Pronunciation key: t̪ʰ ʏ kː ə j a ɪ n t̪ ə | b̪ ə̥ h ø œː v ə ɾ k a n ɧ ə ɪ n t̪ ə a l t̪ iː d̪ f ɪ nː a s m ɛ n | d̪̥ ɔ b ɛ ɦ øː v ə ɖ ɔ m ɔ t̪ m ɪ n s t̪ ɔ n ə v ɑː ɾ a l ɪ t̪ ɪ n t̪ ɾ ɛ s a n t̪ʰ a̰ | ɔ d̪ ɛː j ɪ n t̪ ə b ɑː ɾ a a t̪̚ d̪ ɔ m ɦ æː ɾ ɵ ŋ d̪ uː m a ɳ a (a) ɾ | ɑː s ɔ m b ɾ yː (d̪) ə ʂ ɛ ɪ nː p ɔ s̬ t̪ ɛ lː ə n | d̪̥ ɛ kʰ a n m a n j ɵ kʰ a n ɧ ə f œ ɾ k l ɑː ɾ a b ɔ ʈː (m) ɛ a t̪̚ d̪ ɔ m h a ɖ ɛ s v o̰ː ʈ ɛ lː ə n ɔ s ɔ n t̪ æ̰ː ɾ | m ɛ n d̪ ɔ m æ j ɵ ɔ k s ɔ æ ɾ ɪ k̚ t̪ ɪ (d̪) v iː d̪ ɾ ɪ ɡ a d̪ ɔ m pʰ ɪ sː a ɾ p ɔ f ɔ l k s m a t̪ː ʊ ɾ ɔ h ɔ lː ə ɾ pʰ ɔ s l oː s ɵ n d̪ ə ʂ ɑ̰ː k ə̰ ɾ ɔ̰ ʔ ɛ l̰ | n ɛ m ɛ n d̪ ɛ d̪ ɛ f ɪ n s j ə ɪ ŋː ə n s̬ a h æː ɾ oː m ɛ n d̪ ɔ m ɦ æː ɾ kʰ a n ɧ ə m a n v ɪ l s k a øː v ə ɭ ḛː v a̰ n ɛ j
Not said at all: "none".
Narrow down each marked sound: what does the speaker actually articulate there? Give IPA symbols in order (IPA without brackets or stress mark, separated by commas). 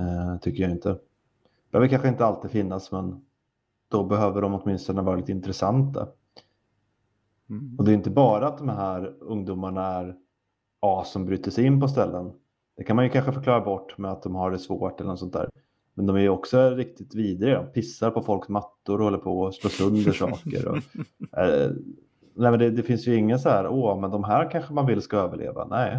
æ, t̪, m, t̪